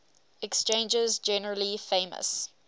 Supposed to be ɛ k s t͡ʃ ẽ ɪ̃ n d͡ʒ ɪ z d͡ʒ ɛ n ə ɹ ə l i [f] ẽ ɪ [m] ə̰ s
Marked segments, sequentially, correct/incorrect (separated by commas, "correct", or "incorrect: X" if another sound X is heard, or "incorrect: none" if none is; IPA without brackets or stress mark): correct, correct